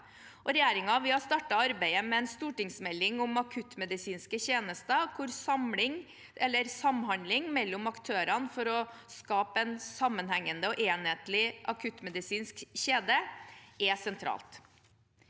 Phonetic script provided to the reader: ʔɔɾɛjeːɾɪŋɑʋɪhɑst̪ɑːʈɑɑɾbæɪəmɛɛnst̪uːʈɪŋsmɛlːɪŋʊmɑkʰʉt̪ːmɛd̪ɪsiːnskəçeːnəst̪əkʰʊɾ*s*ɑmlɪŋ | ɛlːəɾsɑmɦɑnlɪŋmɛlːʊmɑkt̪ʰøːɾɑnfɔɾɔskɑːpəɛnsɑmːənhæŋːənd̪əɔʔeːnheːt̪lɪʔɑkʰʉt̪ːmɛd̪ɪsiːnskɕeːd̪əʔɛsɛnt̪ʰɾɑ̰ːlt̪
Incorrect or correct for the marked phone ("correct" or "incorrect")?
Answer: correct